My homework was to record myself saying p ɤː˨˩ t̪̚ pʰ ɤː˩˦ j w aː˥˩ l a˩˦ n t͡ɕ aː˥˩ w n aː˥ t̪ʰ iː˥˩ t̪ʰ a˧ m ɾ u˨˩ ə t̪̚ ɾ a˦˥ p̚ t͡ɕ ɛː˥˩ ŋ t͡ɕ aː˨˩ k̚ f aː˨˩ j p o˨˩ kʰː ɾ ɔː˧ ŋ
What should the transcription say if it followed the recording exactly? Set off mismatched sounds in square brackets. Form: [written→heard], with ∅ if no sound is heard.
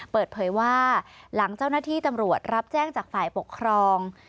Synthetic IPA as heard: p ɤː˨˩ t̪̚ pʰ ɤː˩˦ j w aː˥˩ l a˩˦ [n→ŋ] t͡ɕ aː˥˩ w n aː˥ t̪ʰ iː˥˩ [t̪ʰ→t̪] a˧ m ɾ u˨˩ ə t̪̚ ɾ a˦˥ p̚ t͡ɕ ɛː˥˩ ŋ t͡ɕ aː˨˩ k̚ f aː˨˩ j p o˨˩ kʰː ɾ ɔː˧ ŋ